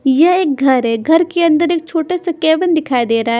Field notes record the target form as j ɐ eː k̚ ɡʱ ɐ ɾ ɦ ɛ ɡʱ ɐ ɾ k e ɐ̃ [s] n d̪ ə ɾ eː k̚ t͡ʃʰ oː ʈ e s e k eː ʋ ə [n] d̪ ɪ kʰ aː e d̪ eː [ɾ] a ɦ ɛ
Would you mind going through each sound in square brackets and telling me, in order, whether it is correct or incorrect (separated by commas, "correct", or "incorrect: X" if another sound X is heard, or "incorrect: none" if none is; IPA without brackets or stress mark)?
incorrect: none, correct, correct